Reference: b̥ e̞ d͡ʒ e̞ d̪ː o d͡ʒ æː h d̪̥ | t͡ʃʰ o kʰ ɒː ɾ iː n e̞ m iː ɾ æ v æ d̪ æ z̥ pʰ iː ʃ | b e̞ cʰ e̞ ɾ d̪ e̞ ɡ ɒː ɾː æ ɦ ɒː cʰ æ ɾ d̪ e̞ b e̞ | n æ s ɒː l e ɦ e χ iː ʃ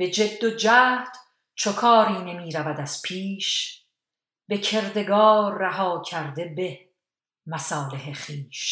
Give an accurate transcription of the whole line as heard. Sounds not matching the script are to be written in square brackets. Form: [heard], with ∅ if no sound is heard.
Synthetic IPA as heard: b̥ e̞ d͡ʒ e̞ d̪ː o d͡ʒ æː h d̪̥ | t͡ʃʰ o kʰ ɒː ɾ iː n e̞ m iː ɾ æ v æ d̪ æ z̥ pʰ iː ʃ | b e̞ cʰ e̞ ɾ d̪ e̞ ɡ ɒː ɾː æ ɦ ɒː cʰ æ ɾ d̪ e̞ b e̞ | [m] æ s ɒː l e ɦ e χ iː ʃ